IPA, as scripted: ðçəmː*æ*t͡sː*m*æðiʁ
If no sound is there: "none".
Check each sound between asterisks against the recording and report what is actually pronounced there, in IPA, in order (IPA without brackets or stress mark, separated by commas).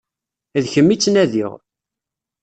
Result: i, n